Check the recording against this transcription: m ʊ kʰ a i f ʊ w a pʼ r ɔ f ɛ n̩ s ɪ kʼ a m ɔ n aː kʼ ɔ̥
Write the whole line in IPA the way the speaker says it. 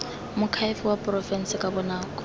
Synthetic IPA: m ʊ kʰ a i f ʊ w a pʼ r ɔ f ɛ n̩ s ɪ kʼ a b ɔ n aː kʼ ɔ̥

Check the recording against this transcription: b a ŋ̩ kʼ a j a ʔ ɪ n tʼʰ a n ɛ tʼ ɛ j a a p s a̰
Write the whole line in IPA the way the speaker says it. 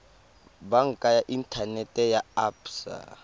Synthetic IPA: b a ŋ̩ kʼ a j a ʔ i n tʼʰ a n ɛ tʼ ɛ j a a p s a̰

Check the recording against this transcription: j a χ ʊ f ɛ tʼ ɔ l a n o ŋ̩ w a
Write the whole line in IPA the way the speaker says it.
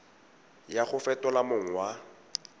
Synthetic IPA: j a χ ʊ f ɛ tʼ ɔ l a m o ŋ̩ w a

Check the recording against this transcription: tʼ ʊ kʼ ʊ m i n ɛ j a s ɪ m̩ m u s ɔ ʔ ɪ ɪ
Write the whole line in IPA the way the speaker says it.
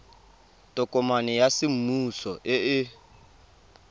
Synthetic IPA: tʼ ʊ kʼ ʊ m a n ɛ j a s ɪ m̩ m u s ɔ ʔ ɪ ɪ

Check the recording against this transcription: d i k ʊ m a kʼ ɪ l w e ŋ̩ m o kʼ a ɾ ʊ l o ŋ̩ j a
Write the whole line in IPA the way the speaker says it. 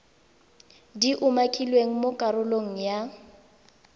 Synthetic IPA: d i ʔ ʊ m a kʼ i l w e ŋ̩ m o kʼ a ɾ ʊ l o ŋ̩ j a

